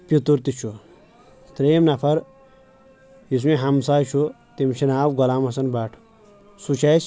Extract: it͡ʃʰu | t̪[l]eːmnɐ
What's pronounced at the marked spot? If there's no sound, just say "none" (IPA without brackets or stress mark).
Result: ɾ